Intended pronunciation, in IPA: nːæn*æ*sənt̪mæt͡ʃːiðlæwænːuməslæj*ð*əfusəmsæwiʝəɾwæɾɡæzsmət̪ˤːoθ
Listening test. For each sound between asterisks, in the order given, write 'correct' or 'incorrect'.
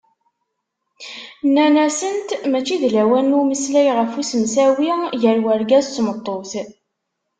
correct, incorrect

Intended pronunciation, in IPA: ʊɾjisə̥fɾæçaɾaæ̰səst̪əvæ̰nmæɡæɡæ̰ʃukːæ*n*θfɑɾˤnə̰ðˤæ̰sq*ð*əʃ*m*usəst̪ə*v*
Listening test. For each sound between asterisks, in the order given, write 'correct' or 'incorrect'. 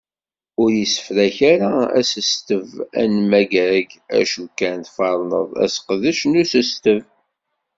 correct, correct, incorrect, correct

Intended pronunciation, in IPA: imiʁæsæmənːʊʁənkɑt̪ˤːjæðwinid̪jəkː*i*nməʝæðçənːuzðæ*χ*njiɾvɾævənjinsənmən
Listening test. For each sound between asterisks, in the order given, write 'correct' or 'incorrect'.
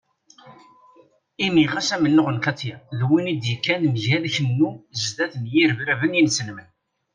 incorrect, incorrect

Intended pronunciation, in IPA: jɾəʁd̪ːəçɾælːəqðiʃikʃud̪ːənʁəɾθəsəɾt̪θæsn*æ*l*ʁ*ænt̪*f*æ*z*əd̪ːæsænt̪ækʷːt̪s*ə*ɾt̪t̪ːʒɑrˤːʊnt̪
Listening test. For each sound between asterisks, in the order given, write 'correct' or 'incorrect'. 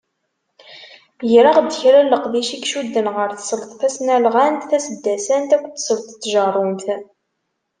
correct, correct, incorrect, incorrect, correct

